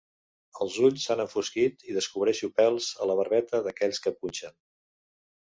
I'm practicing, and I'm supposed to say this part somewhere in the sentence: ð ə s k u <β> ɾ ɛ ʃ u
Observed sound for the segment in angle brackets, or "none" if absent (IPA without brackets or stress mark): β